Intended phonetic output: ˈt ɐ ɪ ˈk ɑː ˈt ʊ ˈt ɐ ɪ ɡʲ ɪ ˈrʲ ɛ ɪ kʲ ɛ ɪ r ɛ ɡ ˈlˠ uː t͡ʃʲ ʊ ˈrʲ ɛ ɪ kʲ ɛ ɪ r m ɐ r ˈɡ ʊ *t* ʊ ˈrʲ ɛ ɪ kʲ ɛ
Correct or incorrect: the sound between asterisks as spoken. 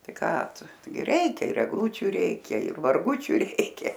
incorrect: t͡ʃʲ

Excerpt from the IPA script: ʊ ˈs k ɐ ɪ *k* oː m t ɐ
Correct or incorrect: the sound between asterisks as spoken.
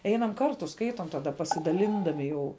incorrect: t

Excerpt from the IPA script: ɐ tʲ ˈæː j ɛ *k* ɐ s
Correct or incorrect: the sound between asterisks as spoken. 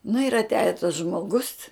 incorrect: t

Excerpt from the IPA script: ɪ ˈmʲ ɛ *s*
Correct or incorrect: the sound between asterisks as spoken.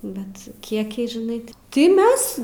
correct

